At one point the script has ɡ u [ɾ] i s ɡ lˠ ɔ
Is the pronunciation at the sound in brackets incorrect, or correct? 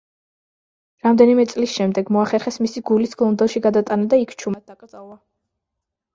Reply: incorrect